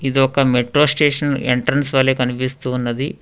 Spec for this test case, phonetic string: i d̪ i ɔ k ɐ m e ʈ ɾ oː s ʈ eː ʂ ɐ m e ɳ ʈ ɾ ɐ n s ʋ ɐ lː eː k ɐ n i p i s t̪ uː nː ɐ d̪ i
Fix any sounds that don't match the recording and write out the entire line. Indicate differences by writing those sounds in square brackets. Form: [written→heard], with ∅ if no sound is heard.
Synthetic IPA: i d̪ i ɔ k ɐ m e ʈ ɾ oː s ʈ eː ʂ ɐ [m→n] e ɳ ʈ ɾ ɐ n s ʋ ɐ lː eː k ɐ n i p i s t̪ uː nː ɐ d̪ i

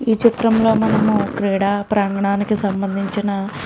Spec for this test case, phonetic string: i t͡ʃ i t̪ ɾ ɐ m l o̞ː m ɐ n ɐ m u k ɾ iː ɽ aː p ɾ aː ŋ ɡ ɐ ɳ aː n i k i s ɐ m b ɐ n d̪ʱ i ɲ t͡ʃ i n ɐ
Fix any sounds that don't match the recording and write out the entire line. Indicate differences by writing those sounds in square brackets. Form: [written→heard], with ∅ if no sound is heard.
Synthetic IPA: [i→iː] t͡ʃ i t̪ ɾ ɐ m l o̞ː m ɐ n ɐ m u k ɾ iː ɽ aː p ɾ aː ŋ ɡ ɐ ɳ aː n i k i s ɐ m b ɐ n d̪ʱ i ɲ t͡ʃ i n ɐ

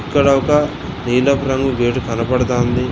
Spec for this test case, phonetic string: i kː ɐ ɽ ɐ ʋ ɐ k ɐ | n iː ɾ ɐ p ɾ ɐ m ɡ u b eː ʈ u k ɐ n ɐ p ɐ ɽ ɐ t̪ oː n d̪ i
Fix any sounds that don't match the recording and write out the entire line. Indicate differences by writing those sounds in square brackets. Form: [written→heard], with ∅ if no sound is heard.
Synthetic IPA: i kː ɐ ɽ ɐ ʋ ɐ k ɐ | n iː [ɾ→l] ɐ p ɾ ɐ [m→ŋ] ɡ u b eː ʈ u k ɐ n ɐ p ɐ ɽ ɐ t̪ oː n d̪ i

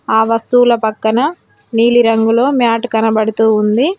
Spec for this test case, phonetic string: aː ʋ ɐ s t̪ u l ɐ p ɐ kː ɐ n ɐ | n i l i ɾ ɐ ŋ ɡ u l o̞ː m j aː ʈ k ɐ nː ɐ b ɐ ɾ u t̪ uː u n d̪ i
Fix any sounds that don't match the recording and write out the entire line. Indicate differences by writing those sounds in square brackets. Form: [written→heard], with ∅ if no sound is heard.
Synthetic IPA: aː ʋ ɐ s t̪ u l ɐ p ɐ kː ɐ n ɐ | n [i→iː] l i ɾ ɐ ŋ ɡ u l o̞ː m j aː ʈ k ɐ [nː→n] ɐ b ɐ [ɾ→ɽ] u t̪ uː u n d̪ i

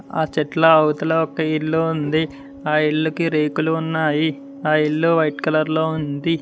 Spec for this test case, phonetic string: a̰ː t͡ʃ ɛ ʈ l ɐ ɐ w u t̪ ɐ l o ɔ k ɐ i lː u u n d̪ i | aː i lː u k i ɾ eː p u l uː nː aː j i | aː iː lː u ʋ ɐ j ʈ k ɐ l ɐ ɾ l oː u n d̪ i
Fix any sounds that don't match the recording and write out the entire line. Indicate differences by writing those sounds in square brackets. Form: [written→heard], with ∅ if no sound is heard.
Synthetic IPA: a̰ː t͡ʃ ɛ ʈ l ɐ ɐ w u t̪ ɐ l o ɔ k ɐ i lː u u n d̪ i | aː i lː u k i ɾ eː [p→k] u l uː nː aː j i | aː [iː→i] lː u ʋ ɐ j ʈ k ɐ l ɐ ɾ l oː u n d̪ i

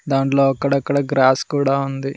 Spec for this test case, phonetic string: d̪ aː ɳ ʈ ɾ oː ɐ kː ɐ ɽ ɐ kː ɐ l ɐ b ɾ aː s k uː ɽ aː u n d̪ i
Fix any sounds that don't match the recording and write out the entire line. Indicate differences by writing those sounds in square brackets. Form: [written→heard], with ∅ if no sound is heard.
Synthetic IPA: d̪ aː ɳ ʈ [ɾ→l] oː ɐ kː ɐ ɽ ɐ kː ɐ [l→ɽ] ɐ [b→ɡ] ɾ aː s k uː ɽ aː u n d̪ i

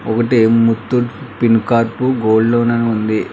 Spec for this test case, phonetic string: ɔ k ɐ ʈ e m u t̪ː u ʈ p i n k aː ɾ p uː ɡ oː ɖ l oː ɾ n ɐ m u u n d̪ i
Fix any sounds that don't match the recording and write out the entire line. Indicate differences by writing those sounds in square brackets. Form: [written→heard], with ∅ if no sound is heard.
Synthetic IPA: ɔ k ɐ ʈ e m u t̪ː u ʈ p i n k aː ɾ p [uː→u] ɡ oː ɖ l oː [ɾ→∅] n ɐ [m→n] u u n d̪ i

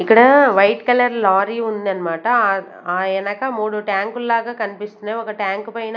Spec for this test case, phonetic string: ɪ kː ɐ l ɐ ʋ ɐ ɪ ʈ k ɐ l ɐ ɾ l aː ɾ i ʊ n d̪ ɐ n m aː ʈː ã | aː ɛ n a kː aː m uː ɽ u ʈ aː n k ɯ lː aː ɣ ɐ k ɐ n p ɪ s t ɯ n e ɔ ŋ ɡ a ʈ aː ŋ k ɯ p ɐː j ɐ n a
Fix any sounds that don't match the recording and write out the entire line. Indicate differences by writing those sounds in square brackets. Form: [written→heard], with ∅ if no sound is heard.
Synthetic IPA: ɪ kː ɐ [l→ɽ] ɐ ʋ ɐ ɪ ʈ k ɐ l ɐ ɾ l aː ɾ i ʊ n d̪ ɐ n m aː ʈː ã | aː ɛ n [a→ɐ] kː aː m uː ɽ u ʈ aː [n→ŋ] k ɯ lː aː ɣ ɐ k ɐ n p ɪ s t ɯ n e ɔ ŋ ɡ [a→ɐ] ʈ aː ŋ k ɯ p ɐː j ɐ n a

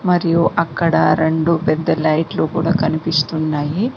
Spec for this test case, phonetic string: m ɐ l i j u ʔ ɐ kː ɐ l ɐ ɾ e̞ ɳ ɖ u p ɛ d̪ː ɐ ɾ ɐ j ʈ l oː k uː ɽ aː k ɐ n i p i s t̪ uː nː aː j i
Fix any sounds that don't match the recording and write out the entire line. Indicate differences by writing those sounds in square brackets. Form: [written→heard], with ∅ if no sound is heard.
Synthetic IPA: m ɐ [l→ɾ] i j u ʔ ɐ kː ɐ [l→ɽ] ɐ ɾ e̞ ɳ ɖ u p ɛ d̪ː ɐ [ɾ→l] ɐ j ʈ l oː k uː ɽ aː k ɐ n i p i s t̪ [uː→u] nː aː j i

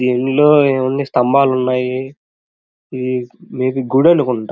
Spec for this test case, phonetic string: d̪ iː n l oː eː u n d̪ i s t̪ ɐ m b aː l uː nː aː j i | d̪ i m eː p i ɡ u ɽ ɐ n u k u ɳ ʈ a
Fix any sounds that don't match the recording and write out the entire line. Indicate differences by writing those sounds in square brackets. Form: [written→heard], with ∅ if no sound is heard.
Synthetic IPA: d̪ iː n l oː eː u n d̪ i s t̪ ɐ m b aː l [uː→u] nː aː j i | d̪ i m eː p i ɡ u ɽ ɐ n u k u ɳ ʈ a

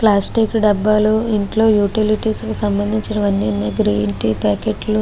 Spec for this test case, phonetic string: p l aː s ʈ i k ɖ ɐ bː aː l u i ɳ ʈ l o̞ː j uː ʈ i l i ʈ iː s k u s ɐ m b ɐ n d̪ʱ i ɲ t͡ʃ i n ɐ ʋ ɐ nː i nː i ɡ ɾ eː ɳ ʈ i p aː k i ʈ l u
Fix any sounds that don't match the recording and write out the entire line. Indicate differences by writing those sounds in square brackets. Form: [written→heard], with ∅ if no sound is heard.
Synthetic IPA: p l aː s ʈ i k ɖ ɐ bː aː l u i ɳ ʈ l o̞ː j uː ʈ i l i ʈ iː s k u s ɐ m b ɐ n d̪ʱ i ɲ t͡ʃ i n ɐ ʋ ɐ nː i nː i ɡ ɾ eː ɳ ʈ i p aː k [i→e] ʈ l u

